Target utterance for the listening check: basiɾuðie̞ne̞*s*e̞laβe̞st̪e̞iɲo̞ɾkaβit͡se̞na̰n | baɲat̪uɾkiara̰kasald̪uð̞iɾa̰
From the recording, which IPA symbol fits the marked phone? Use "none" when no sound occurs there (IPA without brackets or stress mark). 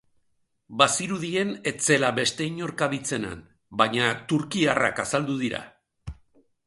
t͡s